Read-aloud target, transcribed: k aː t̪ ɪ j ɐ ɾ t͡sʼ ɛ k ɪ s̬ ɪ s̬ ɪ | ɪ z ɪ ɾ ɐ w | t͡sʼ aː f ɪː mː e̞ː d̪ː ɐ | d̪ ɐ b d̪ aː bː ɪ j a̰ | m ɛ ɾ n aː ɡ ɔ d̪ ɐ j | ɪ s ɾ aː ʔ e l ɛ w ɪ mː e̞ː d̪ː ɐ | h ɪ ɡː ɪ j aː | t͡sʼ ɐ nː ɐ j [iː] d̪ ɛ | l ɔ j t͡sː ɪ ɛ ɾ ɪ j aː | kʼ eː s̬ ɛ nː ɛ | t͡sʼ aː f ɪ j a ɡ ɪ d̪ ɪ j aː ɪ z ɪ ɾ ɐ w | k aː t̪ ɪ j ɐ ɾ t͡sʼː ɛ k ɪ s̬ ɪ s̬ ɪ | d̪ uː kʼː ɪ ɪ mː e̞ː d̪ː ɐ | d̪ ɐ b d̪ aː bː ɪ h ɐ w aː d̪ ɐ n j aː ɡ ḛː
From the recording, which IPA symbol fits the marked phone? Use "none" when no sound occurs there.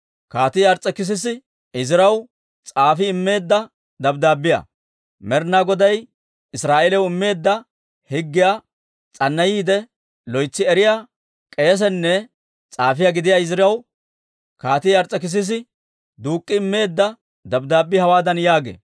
iː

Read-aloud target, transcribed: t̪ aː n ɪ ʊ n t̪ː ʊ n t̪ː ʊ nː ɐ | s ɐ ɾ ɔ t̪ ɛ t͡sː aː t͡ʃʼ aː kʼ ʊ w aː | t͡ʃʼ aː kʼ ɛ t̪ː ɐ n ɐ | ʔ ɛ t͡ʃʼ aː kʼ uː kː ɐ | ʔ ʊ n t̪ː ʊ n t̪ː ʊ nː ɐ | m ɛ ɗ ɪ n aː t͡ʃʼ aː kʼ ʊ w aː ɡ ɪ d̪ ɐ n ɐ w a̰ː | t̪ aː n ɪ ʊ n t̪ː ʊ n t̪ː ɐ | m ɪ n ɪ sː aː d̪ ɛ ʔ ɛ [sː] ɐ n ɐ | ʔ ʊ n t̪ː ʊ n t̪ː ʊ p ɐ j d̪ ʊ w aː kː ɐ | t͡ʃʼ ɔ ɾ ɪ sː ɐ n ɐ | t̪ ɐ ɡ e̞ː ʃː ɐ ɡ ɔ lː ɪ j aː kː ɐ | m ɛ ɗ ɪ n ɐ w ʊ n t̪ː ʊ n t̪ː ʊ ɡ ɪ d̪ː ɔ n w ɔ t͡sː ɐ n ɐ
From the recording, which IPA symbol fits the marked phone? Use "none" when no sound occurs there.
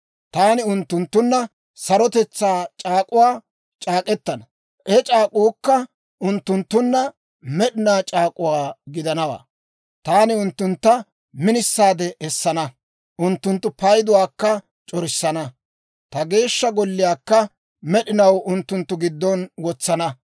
sː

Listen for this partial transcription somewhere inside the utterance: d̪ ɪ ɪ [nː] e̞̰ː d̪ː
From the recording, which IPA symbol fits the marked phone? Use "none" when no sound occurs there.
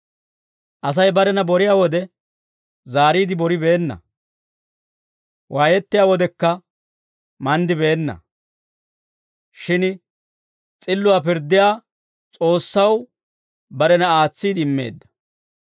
mː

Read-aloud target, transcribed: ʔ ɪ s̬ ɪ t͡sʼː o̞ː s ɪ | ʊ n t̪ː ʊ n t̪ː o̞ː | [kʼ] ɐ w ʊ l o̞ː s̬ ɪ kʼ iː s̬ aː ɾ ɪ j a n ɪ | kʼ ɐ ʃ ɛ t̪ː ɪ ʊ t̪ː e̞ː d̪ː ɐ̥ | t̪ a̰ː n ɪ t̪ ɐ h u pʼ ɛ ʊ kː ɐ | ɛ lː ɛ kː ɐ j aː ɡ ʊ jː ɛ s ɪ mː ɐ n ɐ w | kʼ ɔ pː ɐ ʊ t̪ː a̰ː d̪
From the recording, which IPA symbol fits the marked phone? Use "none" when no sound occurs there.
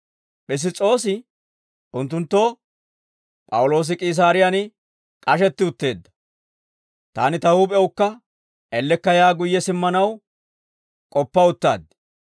pʼ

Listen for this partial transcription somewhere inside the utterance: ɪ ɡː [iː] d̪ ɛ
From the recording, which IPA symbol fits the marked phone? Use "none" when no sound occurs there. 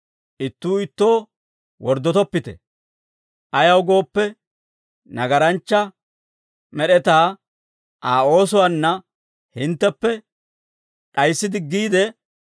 iː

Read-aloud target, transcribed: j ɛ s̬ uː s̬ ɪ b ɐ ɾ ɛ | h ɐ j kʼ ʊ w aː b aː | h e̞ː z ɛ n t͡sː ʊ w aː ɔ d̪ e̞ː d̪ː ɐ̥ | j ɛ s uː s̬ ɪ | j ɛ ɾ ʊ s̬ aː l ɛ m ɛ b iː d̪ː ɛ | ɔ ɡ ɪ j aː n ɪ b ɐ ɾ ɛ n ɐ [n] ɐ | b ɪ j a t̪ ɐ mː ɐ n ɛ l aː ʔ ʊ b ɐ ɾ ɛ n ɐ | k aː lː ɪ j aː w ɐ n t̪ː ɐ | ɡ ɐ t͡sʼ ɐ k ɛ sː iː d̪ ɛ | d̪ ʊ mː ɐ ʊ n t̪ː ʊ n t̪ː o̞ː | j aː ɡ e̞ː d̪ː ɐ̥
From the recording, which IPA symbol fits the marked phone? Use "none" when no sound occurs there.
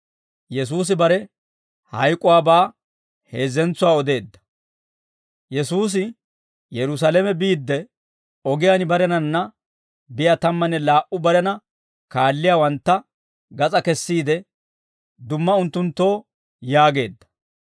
nː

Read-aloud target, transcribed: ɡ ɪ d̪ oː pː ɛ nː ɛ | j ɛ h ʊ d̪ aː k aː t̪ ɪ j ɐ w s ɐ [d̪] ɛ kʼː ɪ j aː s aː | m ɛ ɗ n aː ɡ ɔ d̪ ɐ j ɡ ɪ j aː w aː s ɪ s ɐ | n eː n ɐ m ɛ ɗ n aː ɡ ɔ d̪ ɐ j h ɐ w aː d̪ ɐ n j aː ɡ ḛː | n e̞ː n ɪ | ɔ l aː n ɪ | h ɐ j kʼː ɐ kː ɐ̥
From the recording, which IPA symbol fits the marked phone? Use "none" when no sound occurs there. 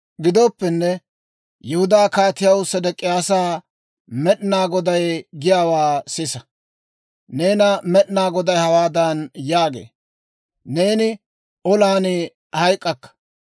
d̪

